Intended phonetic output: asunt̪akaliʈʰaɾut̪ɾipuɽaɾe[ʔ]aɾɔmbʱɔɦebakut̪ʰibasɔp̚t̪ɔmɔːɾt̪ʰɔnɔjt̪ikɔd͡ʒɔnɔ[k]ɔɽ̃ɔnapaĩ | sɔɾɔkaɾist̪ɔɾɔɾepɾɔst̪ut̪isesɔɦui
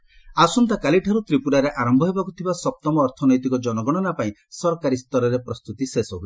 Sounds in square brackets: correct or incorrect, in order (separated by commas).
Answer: correct, incorrect